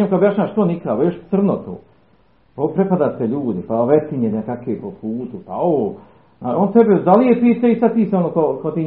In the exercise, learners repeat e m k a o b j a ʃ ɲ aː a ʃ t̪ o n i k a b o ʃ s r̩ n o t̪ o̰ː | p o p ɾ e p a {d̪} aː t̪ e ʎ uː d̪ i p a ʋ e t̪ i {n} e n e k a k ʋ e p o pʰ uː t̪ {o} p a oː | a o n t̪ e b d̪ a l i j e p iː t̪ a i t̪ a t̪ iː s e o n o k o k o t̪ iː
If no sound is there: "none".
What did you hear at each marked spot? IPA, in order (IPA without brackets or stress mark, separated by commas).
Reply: d̪, ɲ, u